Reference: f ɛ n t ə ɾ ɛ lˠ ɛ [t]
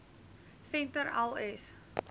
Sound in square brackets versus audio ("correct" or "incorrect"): incorrect